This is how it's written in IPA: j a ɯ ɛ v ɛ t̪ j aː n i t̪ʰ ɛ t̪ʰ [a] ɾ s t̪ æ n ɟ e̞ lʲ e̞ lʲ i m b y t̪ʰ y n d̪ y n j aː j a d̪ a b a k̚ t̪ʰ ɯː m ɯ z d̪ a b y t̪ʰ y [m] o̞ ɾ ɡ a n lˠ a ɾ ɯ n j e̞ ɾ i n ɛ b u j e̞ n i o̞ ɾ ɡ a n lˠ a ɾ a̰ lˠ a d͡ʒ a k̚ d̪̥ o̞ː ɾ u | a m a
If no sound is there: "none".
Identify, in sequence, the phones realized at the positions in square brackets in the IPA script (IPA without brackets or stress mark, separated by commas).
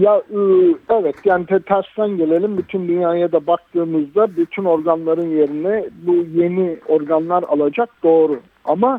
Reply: æ, n